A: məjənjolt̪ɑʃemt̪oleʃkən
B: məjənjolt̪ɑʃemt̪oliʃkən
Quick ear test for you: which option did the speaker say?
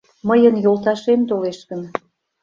A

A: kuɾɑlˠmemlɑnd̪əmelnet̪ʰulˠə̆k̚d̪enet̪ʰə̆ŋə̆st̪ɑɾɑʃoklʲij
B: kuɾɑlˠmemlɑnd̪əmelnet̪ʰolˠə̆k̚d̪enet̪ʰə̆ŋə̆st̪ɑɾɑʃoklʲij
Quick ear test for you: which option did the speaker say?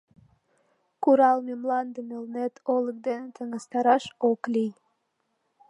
B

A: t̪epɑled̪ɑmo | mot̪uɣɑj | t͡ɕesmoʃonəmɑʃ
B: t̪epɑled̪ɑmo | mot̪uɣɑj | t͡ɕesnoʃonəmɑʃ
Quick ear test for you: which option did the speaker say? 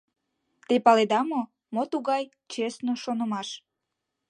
B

